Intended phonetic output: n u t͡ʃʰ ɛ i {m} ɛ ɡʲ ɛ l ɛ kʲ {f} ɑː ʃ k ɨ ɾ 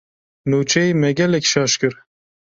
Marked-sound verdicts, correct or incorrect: correct, incorrect: ʃ

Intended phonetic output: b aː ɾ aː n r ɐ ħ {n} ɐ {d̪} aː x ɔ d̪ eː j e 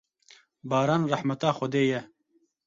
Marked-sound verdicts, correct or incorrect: incorrect: m, incorrect: t̪

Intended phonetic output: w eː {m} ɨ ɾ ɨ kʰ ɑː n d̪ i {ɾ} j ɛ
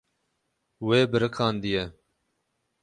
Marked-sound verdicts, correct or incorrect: incorrect: b, incorrect: none

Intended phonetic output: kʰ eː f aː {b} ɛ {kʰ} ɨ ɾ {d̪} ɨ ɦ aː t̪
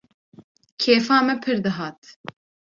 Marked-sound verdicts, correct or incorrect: incorrect: m, incorrect: pʰ, correct

